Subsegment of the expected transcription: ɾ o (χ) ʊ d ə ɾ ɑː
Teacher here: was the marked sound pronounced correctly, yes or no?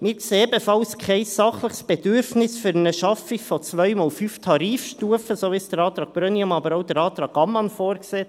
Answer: no